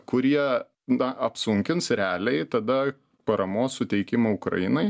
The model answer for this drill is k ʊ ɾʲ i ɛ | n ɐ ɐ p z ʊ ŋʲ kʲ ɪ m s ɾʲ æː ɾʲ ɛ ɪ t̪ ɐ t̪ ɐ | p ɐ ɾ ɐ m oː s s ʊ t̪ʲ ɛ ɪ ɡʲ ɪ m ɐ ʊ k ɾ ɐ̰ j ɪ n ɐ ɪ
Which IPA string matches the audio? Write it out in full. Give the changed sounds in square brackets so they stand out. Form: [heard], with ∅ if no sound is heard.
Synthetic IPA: k ʊ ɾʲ i ɛ | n ɐ ɐ p [s] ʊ ŋʲ kʲ ɪ [n] s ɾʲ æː [lʲ] ɛ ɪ t̪ ɐ [d̪] ɐ | p ɐ ɾ ɐ m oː s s ʊ t̪ʲ ɛ ɪ [kʲ] ɪ m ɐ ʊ k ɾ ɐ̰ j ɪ n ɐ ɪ

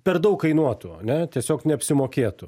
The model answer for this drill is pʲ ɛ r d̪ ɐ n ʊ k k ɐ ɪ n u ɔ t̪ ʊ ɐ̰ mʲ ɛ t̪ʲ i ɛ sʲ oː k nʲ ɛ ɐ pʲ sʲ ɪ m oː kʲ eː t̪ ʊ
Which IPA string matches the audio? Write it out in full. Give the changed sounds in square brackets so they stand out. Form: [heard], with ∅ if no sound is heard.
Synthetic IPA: pʲ ɛ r d̪ ɐ [∅] ʊ k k ɐ ɪ n u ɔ t̪ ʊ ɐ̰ [nʲ] ɛ t̪ʲ i ɛ sʲ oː k nʲ ɛ ɐ pʲ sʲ ɪ m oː kʲ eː t̪ ʊ

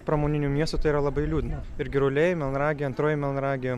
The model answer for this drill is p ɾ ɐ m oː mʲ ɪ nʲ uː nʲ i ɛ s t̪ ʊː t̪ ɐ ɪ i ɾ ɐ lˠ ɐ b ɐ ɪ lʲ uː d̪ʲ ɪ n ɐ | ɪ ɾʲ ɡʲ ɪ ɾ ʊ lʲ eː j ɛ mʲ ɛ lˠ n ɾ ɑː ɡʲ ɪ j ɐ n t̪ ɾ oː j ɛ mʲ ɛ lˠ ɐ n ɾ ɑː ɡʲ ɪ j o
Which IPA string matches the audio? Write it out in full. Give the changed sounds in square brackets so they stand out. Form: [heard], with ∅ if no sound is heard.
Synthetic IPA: p ɾ ɐ m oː [nʲ] ɪ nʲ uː [mʲ] i ɛ s t̪ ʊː t̪ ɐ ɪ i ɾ ɐ lˠ ɐ b ɐ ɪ lʲ uː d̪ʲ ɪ n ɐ | ɪ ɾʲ ɡʲ ɪ ɾ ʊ lʲ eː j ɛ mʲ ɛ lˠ n ɾ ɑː ɡʲ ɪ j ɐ n t̪ ɾ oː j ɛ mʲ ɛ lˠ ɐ n ɾ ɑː ɡʲ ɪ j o

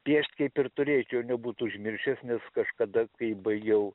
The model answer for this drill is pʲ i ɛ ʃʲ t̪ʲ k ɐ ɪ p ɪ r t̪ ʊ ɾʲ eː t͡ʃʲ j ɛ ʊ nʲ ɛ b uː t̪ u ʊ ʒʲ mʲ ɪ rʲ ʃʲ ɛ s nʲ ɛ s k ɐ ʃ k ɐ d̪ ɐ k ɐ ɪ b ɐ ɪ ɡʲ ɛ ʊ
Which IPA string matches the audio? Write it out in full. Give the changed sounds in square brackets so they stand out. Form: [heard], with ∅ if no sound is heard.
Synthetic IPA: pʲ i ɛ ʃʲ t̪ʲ k ɐ ɪ p ɪ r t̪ ʊ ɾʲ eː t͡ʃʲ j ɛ ʊ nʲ ɛ b uː t̪ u ʊ ʒʲ mʲ ɪ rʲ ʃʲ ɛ s nʲ ɛ s k ɐ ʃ k ɐ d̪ ɐ k ɐ ɪ b ɐ ɪ ɡʲ ɛ ʊ

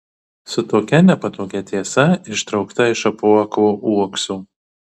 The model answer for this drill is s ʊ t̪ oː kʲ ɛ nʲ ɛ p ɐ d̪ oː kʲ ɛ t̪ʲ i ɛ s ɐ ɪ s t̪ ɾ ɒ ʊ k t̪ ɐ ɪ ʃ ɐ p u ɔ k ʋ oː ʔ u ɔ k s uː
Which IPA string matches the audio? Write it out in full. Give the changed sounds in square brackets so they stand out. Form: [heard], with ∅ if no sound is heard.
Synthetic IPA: s ʊ t̪ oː kʲ ɛ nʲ ɛ p ɐ [t̪] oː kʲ ɛ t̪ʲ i ɛ s ɐ ɪ [ʃ] t̪ ɾ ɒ ʊ k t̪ ɐ ɪ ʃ ɐ p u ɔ k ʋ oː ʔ u ɔ k s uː

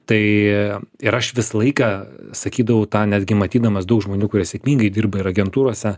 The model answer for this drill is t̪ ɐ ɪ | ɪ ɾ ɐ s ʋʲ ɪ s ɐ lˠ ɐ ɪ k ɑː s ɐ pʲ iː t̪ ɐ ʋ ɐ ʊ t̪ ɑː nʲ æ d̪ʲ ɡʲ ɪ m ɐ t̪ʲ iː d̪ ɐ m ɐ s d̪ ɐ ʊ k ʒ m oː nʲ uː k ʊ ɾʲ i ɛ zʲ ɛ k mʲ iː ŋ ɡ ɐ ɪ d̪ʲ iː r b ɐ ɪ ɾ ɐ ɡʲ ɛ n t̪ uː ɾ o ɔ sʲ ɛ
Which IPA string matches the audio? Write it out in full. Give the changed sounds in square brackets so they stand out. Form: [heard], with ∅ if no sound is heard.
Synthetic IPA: t̪ ɐ ɪ | ɪ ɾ ɐ [ʃ] ʋʲ ɪ s ɐ lˠ ɐ ɪ k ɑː s ɐ [kʲ] iː [d̪] ɐ ʋ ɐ ʊ t̪ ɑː nʲ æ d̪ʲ ɡʲ ɪ m ɐ t̪ʲ iː d̪ ɐ m ɐ s d̪ ɐ ʊ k ʒ m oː nʲ uː k ʊ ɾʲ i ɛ [sʲ] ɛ k mʲ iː ŋ ɡ ɐ ɪ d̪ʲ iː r b ɐ ɪ ɾ ɐ ɡʲ ɛ n t̪ uː ɾ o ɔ sʲ ɛ

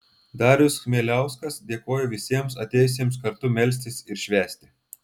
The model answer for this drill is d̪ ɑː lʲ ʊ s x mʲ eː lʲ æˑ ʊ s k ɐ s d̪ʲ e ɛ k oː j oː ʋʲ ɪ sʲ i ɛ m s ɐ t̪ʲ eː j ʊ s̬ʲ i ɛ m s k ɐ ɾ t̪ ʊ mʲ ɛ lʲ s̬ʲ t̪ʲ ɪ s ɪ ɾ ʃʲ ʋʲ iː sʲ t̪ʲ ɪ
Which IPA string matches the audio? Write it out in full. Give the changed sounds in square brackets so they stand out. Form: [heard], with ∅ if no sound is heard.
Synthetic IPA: d̪ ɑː [ɾʲ] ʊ s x mʲ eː lʲ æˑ ʊ s k ɐ s d̪ʲ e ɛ k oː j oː ʋʲ ɪ sʲ i ɛ m s ɐ t̪ʲ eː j ʊ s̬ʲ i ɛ m s k ɐ ɾ t̪ ʊ mʲ ɛ lʲ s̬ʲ t̪ʲ ɪ s ɪ ɾ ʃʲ ʋʲ [æː] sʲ t̪ʲ ɪ

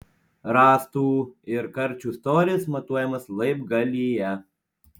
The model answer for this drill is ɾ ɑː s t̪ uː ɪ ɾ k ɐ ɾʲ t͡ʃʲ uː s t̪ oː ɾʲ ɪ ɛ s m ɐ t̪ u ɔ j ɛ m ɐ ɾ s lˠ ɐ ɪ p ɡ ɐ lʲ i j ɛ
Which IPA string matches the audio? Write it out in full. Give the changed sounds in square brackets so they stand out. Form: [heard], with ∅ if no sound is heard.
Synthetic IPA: ɾ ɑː s t̪ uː ɪ ɾ k ɐ ɾʲ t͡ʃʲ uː s t̪ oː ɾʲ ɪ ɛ s m ɐ t̪ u ɔ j ɛ m ɐ [∅] s lˠ ɐ ɪ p ɡ ɐ lʲ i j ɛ

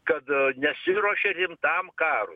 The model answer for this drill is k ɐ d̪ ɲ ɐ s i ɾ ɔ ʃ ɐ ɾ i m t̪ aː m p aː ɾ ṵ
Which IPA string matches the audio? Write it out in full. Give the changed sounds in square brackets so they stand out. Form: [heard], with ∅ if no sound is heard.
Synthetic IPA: k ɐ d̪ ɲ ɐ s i ɾ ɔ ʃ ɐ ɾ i m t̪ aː m [k] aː ɾ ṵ

